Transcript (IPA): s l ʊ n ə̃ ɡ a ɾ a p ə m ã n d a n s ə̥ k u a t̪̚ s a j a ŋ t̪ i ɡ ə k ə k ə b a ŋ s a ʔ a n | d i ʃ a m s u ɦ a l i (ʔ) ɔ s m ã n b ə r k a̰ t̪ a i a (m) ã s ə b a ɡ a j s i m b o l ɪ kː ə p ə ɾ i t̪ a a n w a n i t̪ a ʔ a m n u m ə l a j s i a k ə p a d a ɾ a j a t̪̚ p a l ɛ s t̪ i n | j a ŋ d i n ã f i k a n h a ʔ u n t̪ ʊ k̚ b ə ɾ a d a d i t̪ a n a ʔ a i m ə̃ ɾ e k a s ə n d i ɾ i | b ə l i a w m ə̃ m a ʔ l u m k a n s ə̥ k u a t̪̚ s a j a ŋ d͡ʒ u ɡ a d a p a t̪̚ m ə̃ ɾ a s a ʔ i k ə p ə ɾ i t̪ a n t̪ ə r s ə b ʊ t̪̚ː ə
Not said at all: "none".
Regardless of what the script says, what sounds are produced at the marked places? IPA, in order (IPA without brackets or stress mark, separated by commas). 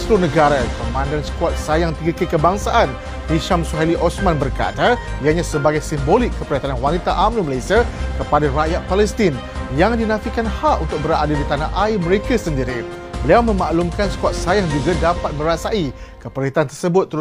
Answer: ʔ, ɲ